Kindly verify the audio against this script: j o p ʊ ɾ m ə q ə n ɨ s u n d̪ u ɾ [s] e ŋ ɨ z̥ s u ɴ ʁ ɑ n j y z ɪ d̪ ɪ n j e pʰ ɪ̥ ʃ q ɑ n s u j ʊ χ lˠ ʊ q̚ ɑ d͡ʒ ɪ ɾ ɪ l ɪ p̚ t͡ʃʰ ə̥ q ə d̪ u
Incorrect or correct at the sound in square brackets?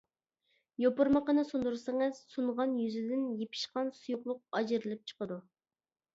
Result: correct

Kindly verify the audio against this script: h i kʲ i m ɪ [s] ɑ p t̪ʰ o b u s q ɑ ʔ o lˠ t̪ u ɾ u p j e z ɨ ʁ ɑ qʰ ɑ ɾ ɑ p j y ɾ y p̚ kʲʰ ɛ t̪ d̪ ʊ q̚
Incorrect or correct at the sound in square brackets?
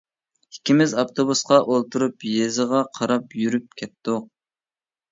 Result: incorrect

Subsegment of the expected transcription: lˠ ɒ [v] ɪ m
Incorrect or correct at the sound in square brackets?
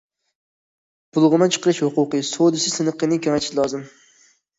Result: incorrect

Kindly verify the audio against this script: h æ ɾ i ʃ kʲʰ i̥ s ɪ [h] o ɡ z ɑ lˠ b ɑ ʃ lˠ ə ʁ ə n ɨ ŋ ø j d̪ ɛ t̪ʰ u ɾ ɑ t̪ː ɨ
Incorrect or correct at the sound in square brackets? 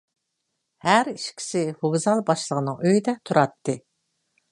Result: correct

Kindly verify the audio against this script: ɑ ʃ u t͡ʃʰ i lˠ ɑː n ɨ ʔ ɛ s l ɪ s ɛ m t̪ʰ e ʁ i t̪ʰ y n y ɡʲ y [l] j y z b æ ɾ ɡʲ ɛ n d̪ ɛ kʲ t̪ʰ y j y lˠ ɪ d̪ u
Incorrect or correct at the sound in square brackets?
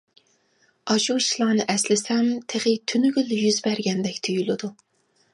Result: correct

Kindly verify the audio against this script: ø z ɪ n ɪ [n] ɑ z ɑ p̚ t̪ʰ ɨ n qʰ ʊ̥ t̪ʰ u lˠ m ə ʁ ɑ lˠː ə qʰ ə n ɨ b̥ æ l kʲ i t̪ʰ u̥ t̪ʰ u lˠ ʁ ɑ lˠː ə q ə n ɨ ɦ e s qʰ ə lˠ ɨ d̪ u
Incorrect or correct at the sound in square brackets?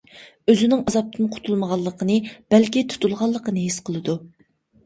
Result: incorrect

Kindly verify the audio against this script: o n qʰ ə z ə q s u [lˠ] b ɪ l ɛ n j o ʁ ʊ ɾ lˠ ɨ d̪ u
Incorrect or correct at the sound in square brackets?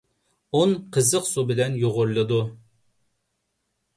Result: incorrect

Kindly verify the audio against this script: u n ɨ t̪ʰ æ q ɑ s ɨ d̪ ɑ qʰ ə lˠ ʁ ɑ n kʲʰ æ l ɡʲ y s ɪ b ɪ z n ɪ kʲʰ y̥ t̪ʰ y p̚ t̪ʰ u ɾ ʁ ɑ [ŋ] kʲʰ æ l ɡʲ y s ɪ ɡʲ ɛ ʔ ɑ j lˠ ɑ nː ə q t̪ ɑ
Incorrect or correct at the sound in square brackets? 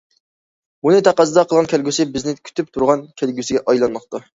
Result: incorrect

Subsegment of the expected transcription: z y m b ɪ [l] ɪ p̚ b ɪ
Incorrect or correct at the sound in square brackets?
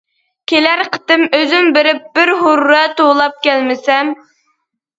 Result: incorrect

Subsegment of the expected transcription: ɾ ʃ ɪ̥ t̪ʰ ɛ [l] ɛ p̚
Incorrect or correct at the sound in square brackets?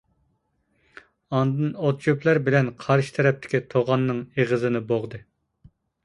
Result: incorrect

